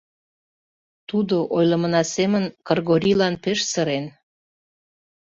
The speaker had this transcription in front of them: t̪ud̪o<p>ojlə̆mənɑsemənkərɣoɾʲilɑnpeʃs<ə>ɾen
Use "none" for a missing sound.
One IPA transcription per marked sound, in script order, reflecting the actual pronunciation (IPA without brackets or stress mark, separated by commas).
ʔ, ə